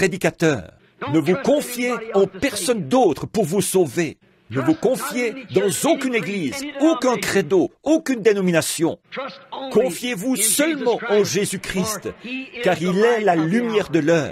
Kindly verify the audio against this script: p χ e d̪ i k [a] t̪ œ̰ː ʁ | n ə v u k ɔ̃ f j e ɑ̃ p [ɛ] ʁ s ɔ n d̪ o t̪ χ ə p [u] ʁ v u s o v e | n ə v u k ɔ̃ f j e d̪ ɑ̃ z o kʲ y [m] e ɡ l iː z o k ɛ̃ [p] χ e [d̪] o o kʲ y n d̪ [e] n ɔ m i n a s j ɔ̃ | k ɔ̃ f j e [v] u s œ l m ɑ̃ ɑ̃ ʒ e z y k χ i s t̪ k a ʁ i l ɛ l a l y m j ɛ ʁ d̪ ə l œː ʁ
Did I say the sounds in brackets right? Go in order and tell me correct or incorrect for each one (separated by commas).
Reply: correct, correct, correct, incorrect, incorrect, correct, correct, correct